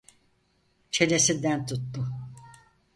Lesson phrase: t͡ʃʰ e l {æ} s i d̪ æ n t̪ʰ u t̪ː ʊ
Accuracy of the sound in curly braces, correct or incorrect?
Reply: incorrect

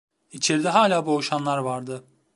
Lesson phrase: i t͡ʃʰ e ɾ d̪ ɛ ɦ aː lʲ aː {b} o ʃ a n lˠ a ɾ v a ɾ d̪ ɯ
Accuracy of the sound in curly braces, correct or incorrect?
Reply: correct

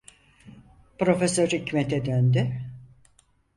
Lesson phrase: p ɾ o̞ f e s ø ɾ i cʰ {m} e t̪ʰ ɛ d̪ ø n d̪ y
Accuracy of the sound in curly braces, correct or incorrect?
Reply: correct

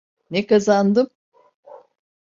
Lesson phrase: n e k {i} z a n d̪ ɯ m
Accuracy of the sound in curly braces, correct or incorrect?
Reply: incorrect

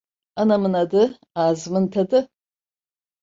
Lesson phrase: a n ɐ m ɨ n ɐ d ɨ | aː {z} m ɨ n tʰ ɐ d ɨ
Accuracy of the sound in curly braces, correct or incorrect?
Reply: correct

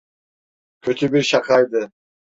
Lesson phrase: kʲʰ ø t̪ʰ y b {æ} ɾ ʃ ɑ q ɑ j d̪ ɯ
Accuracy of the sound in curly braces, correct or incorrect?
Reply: incorrect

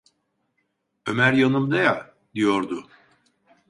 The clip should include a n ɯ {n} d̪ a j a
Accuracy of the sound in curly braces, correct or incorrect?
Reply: incorrect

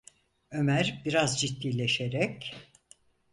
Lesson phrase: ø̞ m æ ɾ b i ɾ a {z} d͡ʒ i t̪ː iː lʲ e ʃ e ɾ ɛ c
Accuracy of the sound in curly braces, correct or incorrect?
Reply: correct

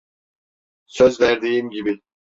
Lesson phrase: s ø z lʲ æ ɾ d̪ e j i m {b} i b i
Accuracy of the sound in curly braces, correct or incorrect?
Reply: incorrect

